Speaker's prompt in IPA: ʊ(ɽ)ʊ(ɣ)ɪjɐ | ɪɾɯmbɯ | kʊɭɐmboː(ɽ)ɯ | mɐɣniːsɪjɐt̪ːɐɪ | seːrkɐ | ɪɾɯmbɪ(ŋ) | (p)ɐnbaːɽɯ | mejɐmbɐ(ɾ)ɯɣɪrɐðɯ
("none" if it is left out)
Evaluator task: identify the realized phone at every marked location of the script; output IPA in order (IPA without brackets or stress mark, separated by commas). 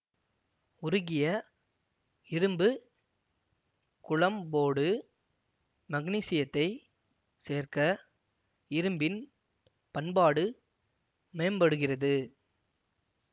ɾ, ɣ, ɽ, n, p, ɽ